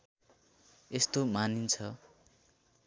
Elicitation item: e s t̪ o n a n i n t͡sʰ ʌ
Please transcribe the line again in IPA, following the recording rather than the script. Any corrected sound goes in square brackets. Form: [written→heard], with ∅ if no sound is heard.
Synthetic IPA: e s t̪ o [n→m] a n i n t͡sʰ ʌ